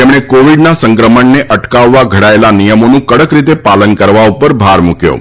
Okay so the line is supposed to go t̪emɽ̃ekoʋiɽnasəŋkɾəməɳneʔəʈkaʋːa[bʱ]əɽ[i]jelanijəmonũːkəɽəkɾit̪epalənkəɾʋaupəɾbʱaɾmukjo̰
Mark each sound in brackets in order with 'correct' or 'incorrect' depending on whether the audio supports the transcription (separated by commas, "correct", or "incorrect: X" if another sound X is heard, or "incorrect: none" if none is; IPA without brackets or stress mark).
incorrect: ɡʱ, incorrect: a